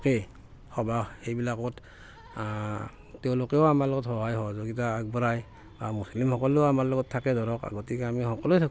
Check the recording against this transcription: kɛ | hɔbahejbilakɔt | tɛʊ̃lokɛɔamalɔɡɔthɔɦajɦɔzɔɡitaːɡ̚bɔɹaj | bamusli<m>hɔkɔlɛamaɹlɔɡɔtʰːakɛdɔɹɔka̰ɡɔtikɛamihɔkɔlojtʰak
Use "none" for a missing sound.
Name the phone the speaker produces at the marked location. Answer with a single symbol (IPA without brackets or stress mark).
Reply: m